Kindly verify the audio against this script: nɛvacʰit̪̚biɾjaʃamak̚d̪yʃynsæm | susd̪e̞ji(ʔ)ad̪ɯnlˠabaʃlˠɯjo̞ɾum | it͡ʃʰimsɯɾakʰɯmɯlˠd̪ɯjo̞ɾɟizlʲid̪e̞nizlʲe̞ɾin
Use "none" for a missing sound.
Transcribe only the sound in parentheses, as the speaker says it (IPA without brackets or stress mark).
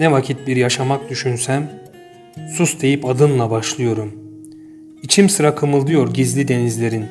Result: p